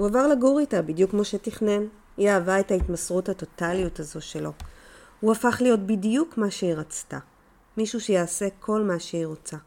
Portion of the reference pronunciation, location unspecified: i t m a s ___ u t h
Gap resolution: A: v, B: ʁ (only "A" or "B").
B